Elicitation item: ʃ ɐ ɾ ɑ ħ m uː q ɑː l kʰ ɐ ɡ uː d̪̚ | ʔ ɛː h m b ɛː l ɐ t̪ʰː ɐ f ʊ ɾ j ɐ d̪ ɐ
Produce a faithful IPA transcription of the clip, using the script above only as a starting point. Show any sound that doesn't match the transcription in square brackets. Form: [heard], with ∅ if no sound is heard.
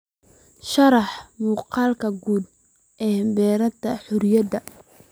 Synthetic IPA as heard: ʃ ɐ ɾ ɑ ħ m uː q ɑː l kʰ ɐ ɡ uː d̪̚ | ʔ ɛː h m b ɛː [ɾ] ɐ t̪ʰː ɐ [ħ] ʊ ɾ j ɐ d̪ ɐ